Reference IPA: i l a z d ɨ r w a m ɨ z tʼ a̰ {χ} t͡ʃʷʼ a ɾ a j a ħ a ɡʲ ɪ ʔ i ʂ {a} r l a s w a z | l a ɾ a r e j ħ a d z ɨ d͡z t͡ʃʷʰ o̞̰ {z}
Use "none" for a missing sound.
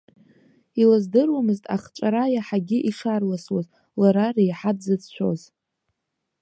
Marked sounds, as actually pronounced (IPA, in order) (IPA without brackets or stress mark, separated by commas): χ, a, z